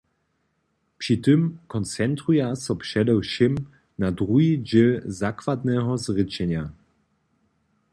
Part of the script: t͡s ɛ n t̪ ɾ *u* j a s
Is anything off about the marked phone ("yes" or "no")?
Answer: no